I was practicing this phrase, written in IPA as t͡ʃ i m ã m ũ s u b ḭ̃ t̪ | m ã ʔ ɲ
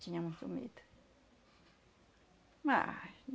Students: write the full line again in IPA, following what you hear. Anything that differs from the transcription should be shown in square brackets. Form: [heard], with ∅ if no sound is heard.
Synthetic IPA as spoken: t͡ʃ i [ɲ] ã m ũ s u [m] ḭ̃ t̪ | m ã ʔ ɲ